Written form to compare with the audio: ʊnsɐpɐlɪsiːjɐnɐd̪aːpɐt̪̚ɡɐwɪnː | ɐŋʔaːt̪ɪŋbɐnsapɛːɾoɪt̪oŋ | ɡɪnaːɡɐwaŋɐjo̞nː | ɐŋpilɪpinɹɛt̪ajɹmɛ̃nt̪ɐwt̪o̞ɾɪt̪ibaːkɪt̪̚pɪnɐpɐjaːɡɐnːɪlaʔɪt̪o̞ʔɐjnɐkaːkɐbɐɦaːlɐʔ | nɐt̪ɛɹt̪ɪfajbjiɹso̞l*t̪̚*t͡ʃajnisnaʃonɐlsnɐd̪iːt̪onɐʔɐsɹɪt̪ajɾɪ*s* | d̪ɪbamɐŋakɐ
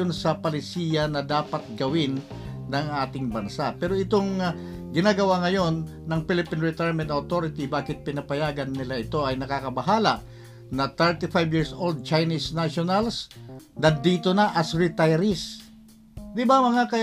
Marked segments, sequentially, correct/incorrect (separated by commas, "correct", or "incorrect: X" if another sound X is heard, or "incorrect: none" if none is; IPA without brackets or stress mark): incorrect: d̪̚, correct